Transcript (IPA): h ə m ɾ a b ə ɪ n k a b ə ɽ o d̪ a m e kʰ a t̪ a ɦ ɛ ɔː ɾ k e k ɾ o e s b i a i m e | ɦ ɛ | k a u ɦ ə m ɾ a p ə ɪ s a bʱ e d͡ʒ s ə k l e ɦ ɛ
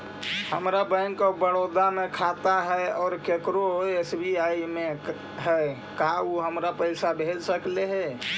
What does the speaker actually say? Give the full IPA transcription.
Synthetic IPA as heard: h ə m ɾ a b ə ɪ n k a b ə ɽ o d̪ a m e kʰ a t̪ a ɦ ɛ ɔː ɾ k e k ɾ o e s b i a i m e | ɦ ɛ | k a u ɦ ə m ɾ a p ə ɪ s a bʱ e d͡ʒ s ə k l e ɦ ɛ